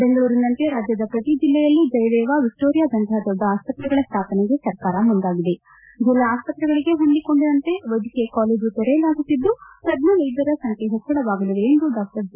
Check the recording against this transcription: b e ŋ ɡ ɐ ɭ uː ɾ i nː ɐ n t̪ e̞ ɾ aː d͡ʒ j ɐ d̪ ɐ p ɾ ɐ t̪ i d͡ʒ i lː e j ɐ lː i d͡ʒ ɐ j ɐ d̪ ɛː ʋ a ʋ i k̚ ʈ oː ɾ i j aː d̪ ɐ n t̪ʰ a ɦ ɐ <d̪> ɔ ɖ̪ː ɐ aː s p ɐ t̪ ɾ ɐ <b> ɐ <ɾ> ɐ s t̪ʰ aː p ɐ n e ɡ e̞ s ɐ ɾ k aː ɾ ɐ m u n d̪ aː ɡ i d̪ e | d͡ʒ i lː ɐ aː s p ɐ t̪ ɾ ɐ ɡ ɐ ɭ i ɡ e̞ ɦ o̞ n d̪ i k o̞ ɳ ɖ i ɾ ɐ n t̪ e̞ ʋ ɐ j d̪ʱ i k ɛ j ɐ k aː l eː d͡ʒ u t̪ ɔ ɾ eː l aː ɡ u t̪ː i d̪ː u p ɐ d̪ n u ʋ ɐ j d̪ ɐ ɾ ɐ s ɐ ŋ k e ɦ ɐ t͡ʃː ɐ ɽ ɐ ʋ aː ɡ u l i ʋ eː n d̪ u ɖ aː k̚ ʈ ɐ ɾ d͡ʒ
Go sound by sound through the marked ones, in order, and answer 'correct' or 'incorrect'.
correct, incorrect: ɡ, incorrect: ɭ

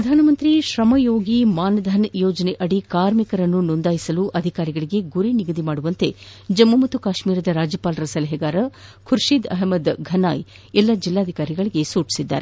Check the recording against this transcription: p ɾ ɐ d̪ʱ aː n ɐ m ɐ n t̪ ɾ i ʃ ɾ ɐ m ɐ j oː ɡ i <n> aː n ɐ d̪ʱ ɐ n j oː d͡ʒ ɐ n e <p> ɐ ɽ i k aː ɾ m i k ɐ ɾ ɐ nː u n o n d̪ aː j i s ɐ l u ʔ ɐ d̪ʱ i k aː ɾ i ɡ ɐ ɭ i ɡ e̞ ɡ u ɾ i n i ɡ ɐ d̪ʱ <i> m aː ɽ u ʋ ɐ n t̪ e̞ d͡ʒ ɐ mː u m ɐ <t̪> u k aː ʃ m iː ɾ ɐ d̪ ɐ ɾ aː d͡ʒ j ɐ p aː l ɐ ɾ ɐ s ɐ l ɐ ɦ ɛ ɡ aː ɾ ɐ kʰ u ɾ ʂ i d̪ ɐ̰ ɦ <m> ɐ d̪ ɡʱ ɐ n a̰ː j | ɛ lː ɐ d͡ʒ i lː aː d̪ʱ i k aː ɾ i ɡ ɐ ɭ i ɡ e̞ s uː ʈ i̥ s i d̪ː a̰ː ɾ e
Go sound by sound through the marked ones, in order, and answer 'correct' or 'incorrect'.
incorrect: m, incorrect: ʔ, correct, correct, correct

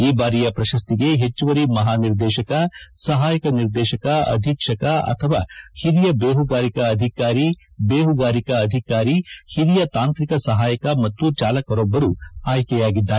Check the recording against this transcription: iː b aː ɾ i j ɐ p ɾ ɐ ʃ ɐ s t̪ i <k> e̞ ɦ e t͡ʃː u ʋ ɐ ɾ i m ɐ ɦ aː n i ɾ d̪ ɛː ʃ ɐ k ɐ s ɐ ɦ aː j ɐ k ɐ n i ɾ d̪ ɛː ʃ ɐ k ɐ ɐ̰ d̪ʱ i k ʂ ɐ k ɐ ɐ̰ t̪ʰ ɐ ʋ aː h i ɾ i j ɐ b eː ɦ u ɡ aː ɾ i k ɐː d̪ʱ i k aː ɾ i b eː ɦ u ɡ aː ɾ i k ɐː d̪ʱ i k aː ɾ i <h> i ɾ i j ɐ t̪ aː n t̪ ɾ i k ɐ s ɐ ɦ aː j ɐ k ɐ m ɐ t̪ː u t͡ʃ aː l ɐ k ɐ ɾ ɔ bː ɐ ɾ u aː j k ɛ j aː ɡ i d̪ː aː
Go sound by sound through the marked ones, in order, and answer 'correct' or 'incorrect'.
incorrect: ɡ, correct

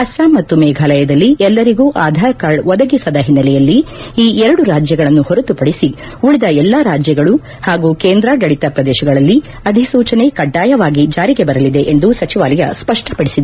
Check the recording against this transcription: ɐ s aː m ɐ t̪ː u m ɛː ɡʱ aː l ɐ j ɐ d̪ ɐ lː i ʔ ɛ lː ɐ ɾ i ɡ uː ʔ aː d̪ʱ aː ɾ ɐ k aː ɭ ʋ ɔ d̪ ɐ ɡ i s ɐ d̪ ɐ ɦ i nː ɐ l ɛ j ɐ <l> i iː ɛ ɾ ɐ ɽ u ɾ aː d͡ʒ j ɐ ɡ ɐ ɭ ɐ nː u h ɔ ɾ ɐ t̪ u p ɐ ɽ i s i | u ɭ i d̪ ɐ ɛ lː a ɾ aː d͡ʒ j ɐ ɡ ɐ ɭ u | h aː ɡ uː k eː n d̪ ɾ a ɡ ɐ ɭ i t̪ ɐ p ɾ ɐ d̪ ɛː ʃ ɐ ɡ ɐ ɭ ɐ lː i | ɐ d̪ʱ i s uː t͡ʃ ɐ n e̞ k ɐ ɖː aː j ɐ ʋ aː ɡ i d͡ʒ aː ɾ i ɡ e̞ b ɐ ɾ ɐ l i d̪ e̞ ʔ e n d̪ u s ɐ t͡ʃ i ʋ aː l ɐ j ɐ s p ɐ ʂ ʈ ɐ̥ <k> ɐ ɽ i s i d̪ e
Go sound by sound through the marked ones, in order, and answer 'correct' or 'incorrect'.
incorrect: lː, incorrect: p

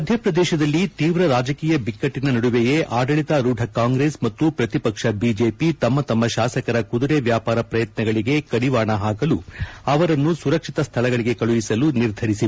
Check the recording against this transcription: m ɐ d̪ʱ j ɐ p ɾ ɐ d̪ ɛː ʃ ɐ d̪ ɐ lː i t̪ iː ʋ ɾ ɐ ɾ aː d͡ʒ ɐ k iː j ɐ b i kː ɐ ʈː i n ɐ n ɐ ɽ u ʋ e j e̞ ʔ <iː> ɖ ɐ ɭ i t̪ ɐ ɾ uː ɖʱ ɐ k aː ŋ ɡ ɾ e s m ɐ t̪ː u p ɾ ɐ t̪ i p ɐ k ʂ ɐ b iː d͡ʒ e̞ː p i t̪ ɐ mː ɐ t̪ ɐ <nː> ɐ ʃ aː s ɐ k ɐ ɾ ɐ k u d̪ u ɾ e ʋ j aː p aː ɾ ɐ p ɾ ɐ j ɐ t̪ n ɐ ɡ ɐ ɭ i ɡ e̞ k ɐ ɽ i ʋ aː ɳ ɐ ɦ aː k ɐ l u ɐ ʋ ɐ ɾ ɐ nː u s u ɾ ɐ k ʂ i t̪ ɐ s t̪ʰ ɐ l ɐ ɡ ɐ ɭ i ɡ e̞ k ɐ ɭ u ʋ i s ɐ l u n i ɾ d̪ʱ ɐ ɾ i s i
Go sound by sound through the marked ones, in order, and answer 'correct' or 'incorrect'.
incorrect: aː, incorrect: mː

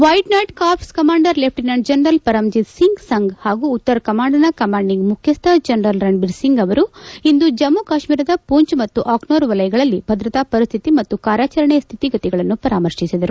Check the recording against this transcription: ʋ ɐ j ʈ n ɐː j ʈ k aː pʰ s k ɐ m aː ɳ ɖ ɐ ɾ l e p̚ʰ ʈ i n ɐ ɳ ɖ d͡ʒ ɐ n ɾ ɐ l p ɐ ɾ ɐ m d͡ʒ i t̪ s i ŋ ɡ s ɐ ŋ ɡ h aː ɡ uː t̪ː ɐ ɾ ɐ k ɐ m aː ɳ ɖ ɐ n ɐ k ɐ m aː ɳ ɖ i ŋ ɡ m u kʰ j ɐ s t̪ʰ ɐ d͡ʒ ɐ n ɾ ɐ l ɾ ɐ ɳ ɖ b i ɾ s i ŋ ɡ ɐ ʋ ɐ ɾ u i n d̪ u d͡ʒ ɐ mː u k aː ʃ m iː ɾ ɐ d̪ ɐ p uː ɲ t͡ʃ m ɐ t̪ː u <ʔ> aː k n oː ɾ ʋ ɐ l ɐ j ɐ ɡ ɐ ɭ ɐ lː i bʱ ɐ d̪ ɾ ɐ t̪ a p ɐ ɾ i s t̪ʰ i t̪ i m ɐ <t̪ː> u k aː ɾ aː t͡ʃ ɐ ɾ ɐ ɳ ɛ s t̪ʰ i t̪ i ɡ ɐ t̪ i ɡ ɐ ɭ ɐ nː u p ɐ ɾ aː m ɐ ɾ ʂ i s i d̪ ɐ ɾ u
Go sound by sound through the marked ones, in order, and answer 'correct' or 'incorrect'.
correct, correct

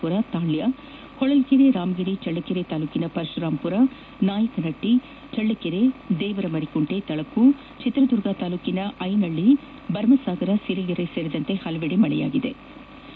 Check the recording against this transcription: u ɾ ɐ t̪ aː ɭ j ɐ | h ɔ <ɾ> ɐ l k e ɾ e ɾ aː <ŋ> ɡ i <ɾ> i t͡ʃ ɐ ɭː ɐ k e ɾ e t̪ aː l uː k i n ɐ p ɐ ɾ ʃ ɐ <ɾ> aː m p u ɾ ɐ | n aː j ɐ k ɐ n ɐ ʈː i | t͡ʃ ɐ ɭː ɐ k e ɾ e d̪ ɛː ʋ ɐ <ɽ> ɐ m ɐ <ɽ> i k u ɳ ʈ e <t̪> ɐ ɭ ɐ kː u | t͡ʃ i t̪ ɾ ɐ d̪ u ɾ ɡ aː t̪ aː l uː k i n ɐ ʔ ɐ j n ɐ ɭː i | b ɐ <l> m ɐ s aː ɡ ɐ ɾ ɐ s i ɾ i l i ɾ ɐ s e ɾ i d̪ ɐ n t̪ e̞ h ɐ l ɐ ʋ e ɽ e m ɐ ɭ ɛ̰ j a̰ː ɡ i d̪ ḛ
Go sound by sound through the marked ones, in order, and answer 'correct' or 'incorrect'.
incorrect: ɭ, incorrect: m, correct, correct, incorrect: ɾ, incorrect: ɾ, correct, incorrect: ɾ

